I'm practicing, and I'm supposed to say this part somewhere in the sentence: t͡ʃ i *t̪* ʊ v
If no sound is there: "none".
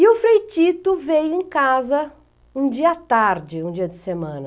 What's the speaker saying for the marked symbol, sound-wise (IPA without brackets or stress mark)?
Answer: t̪